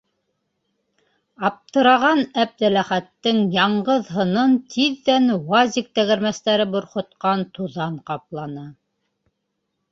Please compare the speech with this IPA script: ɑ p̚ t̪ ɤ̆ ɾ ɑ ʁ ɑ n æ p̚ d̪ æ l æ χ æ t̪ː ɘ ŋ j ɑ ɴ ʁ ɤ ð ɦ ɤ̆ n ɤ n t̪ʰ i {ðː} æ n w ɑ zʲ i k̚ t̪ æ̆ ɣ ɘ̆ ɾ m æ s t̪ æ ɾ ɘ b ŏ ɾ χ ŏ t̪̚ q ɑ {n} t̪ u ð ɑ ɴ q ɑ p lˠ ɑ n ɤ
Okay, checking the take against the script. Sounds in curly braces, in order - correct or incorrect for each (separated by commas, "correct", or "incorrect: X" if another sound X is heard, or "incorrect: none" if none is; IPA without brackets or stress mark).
correct, correct